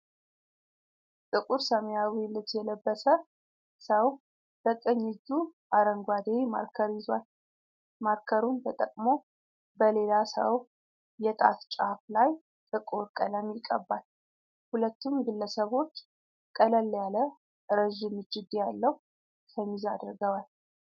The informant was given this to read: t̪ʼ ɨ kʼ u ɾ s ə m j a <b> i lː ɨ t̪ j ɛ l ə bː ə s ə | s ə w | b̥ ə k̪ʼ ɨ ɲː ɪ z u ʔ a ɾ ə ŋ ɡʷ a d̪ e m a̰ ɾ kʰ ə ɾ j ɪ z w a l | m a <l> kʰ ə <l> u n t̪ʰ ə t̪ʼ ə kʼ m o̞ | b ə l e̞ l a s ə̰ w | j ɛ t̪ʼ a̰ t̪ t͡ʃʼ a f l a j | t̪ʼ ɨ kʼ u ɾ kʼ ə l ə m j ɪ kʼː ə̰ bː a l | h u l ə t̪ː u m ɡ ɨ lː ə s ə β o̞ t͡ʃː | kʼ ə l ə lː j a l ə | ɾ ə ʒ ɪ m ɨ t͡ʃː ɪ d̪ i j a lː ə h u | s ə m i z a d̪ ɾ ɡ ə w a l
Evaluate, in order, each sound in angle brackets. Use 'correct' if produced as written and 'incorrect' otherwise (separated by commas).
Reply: incorrect, incorrect, incorrect